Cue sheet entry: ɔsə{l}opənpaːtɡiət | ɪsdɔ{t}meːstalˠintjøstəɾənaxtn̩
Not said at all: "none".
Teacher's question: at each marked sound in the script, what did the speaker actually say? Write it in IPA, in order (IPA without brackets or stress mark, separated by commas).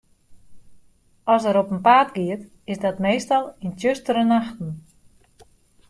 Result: ɾ, t